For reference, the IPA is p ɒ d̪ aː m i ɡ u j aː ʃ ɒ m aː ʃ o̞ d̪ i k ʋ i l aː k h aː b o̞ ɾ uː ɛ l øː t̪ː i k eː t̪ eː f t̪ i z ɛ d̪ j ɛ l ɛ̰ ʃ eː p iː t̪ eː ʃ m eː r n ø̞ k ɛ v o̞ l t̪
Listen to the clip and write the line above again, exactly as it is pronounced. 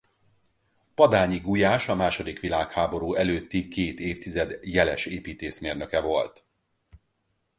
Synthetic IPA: p ɒ d̪ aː ɲ i ɡ u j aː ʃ ɒ m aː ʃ o̞ d̪ i k ʋ i l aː k h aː b o̞ ɾ uː ɛ l øː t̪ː i k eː t̪ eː f t̪ i z ɛ d̪ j ɛ l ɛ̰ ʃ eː p iː t̪ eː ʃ m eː r n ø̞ k ɛ v o̞ l t̪